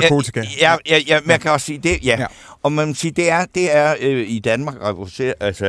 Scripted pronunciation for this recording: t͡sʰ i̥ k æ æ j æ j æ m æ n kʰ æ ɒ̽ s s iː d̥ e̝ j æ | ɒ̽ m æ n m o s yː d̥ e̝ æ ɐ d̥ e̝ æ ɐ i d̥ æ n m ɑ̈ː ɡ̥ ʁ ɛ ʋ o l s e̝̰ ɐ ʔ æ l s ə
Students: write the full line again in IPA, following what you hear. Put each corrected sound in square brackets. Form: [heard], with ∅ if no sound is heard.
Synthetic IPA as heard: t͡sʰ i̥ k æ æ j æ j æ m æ n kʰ æ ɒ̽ s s iː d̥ e̝ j æ | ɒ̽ m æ n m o s [iː] d̥ e̝ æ ɐ d̥ e̝ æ ɐ i d̥ æ n m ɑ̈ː ɡ̥ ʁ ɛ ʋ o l s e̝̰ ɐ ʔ æ l s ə